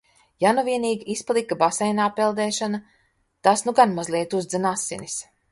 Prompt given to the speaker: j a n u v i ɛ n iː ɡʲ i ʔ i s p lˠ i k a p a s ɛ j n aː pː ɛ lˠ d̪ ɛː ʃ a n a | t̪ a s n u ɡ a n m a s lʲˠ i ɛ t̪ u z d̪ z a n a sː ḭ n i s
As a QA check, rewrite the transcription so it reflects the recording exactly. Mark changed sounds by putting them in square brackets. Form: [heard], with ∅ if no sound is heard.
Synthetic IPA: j a n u v i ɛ n iː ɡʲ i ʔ i s p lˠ i k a [b] a s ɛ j n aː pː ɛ lˠ d̪ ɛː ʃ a n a | t̪ a s n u ɡ a n m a [z] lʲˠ i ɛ t̪ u z d̪ z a n a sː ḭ n i s